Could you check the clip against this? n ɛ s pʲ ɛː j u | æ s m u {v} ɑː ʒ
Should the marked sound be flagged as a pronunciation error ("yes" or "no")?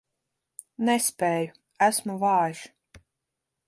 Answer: no